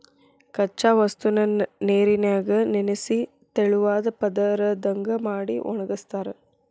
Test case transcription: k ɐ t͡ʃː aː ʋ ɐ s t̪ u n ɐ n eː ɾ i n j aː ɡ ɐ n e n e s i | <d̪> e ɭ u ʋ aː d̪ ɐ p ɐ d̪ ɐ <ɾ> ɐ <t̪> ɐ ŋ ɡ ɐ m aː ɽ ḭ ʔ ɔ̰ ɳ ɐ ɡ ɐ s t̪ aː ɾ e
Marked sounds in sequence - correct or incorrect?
incorrect: t̪, correct, incorrect: d̪

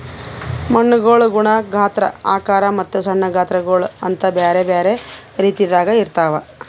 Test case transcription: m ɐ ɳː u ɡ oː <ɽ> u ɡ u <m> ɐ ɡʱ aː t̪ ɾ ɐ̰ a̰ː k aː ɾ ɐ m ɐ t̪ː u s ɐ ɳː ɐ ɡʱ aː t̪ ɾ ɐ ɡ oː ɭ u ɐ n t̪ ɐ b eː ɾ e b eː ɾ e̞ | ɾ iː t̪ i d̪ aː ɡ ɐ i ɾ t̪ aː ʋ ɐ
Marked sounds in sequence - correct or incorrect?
incorrect: ɭ, incorrect: ɳ

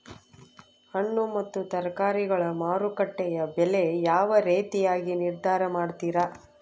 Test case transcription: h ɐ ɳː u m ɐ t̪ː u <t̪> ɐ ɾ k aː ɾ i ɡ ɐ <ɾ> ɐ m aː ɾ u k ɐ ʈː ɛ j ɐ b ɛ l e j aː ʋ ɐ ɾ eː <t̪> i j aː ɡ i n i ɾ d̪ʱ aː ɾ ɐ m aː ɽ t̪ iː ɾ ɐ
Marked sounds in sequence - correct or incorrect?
correct, incorrect: ɭ, correct

